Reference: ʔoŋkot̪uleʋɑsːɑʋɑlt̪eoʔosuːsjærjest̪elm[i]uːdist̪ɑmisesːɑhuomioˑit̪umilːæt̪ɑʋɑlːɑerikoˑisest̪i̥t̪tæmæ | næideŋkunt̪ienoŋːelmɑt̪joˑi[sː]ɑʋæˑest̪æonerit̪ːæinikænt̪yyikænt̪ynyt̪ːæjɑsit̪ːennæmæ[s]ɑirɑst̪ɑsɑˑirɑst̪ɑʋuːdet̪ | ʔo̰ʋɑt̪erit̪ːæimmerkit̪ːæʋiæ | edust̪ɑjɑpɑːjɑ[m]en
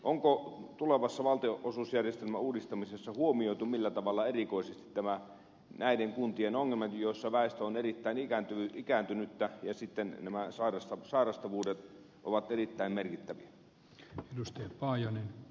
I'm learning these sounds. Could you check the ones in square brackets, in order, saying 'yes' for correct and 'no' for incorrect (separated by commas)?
no, yes, yes, no